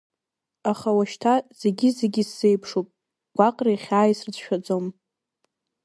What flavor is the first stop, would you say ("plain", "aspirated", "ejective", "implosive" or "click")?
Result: aspirated